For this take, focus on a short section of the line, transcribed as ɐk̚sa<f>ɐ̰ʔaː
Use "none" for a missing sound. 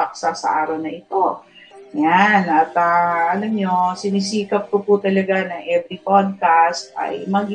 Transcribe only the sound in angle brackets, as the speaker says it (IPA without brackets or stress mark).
s